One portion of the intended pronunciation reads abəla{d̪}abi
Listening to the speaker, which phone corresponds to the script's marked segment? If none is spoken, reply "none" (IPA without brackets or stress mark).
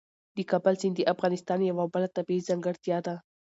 t̪